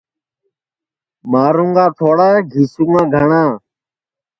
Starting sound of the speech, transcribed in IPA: m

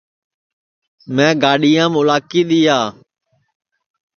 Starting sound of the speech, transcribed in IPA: m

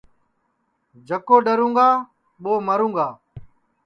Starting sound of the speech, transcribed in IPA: d͡ʒ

